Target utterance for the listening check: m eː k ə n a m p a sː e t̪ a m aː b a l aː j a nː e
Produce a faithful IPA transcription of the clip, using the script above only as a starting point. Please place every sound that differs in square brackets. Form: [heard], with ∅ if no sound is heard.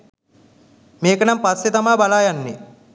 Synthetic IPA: m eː k ə n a m p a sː e t̪ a m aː b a l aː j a nː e